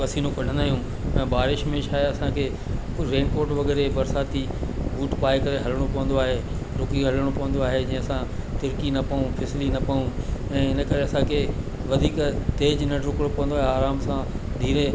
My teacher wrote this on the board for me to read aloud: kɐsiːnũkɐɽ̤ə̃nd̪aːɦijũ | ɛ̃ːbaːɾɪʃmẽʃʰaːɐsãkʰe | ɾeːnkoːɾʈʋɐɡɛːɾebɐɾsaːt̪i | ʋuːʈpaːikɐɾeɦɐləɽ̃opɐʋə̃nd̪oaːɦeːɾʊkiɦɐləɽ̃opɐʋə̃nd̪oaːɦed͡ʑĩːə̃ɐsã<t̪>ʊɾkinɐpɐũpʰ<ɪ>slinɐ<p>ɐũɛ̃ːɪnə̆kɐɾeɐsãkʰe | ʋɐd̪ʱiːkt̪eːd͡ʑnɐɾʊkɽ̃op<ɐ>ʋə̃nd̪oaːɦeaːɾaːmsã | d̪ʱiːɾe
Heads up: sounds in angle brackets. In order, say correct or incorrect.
correct, correct, correct, correct

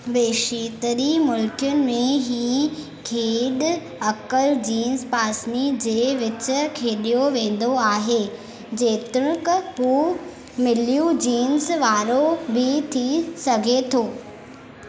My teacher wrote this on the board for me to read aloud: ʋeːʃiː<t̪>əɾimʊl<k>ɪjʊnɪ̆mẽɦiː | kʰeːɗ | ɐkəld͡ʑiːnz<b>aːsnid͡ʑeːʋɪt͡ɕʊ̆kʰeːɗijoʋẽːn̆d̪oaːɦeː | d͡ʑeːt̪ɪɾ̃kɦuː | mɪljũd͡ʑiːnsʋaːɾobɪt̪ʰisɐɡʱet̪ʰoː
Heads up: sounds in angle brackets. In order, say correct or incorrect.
correct, correct, incorrect

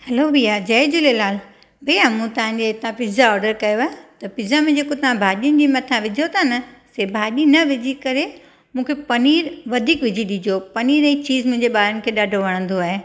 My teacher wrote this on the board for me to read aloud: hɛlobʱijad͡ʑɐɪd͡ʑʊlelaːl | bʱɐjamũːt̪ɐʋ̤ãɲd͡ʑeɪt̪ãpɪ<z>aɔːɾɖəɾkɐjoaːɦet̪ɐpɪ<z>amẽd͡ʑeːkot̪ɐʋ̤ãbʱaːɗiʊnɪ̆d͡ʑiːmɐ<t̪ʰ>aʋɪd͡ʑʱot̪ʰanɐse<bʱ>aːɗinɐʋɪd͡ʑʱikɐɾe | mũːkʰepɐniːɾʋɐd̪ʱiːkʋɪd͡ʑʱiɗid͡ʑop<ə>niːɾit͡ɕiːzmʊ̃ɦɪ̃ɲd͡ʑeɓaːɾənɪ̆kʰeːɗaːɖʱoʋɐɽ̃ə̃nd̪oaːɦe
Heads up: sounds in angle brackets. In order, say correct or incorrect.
correct, correct, correct, correct, incorrect

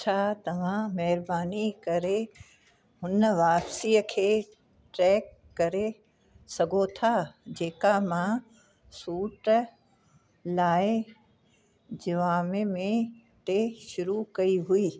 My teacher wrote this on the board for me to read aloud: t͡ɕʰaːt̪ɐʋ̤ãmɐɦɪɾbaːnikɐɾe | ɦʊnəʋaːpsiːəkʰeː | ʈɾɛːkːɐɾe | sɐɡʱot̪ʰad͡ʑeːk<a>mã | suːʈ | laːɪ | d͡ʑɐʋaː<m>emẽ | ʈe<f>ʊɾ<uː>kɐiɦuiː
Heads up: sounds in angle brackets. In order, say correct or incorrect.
correct, correct, incorrect, incorrect

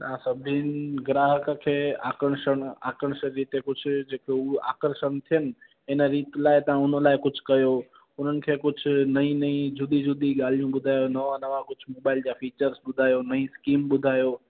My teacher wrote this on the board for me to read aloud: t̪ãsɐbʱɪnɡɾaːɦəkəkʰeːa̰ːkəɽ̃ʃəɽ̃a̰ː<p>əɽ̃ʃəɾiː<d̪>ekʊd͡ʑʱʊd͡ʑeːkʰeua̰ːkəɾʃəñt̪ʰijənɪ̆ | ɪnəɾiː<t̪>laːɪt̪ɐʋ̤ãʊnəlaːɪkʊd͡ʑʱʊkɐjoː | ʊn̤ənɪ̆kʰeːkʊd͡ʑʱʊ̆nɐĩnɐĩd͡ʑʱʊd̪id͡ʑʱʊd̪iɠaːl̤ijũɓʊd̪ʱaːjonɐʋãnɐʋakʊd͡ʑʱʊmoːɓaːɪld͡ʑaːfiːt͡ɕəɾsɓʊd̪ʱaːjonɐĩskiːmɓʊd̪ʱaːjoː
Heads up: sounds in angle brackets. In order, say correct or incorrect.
incorrect, incorrect, correct

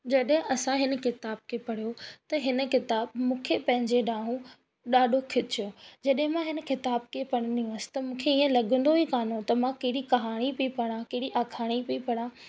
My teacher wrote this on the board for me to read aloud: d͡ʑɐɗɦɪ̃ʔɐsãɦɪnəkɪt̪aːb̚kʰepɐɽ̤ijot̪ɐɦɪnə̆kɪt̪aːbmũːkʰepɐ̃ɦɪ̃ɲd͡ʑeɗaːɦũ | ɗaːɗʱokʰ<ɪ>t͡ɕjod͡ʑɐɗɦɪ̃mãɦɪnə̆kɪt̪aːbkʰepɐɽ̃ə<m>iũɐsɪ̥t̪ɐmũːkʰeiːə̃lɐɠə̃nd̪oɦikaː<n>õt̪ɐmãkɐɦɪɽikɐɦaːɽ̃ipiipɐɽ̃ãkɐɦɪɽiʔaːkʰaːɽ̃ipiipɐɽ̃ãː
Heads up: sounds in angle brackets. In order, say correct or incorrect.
correct, incorrect, correct

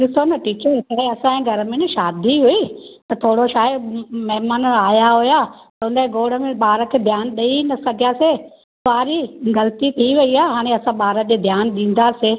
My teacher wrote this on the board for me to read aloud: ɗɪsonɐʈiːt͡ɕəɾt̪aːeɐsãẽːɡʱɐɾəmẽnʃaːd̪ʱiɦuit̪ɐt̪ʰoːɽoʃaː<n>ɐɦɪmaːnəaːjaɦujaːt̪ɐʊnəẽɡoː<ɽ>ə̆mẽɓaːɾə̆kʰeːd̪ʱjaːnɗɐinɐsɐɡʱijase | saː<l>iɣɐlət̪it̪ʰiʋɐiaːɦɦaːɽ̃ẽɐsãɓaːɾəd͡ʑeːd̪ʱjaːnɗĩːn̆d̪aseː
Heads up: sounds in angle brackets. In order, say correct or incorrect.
incorrect, correct, incorrect

